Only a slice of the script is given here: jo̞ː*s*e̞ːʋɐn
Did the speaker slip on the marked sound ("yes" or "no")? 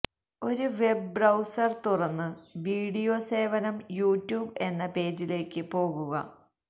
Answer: no